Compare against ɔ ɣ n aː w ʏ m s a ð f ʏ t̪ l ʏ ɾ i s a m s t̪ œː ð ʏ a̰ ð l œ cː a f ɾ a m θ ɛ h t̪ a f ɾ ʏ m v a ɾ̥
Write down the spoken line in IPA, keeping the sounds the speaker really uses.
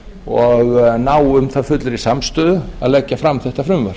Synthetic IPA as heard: ɔ ɣ n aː w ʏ m θ a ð f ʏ t̪ l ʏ ɾ i s a m s t̪ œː ð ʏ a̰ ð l ɛ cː a f ɾ a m θ ɛ h t̪ a f ɾ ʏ m v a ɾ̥